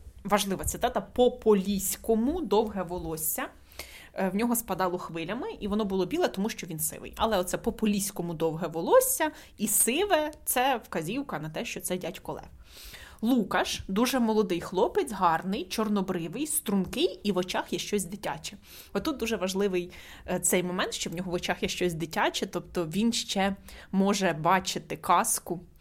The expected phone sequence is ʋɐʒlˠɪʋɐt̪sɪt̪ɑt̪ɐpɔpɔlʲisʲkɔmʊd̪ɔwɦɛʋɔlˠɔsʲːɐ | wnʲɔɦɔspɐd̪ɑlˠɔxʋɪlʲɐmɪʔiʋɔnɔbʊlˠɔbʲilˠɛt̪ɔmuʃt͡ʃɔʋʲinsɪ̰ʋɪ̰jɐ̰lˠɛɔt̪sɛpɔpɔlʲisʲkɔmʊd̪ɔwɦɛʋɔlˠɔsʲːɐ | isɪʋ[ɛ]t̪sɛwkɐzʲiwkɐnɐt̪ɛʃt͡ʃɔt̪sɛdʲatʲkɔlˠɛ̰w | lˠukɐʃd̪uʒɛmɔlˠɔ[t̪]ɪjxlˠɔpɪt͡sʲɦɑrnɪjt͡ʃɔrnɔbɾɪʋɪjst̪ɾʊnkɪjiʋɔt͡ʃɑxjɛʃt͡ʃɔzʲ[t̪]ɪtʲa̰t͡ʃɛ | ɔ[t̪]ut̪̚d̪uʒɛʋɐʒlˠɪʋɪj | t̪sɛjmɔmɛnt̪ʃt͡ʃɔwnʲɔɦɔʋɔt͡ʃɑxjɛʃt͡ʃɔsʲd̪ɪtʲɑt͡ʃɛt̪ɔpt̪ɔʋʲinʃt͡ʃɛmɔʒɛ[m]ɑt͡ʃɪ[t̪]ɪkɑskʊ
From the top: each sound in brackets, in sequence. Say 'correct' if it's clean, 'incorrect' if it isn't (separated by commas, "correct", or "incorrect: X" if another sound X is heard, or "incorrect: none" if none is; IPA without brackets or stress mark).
correct, incorrect: d̪, incorrect: d̪, correct, incorrect: b, correct